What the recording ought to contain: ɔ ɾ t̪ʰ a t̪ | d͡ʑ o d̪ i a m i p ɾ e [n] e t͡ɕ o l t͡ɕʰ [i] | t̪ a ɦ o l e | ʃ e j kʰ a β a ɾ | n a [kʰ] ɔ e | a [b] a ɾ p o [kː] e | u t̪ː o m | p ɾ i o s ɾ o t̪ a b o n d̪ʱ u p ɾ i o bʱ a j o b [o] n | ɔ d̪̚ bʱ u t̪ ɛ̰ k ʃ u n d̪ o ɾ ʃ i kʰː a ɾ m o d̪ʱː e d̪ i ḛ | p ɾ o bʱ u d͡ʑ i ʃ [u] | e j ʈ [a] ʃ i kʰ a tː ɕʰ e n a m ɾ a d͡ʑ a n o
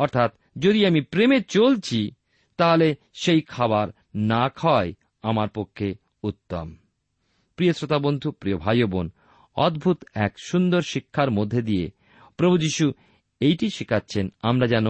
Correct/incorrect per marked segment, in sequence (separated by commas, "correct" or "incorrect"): incorrect, correct, correct, incorrect, incorrect, correct, correct, incorrect